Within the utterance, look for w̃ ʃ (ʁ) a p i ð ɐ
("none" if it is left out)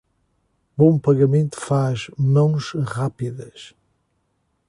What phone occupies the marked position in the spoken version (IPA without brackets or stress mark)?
ʁ